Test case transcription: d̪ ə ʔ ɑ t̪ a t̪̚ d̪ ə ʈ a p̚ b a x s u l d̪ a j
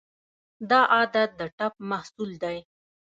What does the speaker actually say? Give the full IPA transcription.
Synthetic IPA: d̪ ɑ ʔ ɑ d̪ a t̪̚ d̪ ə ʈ a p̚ m a h s u l d̪ a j